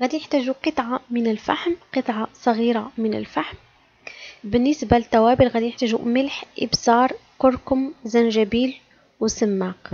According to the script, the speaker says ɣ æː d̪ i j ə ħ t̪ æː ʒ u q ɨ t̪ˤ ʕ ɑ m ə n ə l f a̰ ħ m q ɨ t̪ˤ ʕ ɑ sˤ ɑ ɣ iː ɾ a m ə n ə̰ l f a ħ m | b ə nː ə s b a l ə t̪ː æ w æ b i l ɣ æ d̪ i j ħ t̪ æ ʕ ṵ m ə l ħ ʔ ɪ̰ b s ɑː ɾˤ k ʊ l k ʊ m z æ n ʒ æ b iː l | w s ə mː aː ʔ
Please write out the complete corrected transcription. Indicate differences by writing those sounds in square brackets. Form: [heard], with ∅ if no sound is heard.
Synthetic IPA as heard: ɣ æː d̪ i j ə ħ t̪ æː ʒ u q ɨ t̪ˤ ʕ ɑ m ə n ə l f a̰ ħ m q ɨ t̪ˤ ʕ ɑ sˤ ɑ ɣ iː ɾ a m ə n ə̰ l f a ħ m | b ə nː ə s b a l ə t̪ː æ w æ b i l ɣ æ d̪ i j ħ t̪ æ [ʒ] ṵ m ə l ħ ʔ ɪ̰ b s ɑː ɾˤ k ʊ [ɾ] k ʊ m z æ n ʒ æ b iː l | w s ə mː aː [q]